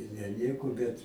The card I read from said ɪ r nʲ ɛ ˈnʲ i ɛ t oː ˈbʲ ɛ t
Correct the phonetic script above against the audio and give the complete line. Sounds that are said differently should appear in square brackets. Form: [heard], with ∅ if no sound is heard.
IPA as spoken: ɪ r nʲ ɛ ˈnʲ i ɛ [k] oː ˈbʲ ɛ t